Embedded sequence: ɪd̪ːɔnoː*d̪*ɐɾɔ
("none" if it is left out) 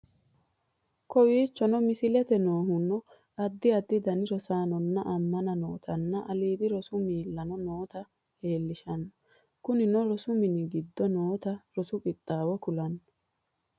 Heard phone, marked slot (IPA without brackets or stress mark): t̪